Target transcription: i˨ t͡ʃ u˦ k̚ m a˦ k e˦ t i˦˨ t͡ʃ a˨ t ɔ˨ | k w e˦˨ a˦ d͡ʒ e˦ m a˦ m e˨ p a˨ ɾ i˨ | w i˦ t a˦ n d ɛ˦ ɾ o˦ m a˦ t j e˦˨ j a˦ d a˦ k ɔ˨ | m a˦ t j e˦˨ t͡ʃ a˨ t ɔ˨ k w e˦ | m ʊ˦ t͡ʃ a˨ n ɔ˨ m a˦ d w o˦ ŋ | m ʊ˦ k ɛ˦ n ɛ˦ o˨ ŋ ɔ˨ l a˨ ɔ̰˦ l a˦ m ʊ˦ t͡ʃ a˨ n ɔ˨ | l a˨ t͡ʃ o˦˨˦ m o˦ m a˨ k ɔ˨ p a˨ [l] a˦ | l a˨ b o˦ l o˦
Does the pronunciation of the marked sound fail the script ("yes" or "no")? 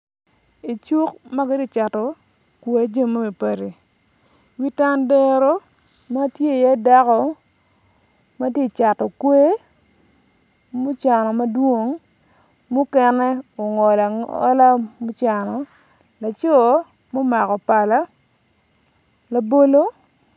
no